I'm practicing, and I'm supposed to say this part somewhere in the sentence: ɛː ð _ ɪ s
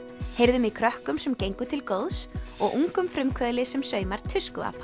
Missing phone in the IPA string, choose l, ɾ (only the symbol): l